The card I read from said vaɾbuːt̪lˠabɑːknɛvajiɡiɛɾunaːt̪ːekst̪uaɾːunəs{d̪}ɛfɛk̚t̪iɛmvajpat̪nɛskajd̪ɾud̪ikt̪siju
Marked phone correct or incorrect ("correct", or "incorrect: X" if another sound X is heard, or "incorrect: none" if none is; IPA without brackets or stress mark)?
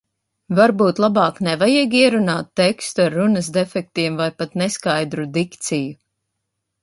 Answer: correct